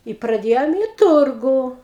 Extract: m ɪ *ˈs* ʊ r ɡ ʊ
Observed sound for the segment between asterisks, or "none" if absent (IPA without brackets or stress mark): t